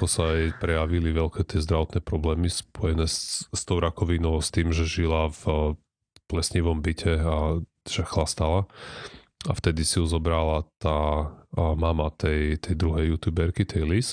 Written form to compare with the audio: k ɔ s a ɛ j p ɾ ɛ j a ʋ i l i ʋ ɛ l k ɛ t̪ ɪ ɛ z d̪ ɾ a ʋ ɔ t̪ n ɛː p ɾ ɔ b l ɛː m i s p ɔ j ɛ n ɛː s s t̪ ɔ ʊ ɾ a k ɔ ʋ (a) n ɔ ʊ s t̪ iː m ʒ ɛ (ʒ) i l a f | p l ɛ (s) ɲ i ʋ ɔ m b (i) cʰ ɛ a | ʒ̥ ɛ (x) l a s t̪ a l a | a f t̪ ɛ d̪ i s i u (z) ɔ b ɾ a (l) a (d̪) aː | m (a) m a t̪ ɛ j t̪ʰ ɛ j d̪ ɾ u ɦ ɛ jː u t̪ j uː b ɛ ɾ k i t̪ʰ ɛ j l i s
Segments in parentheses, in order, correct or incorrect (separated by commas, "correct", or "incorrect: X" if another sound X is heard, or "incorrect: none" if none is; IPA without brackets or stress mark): incorrect: i, correct, correct, correct, correct, correct, correct, incorrect: t̪, correct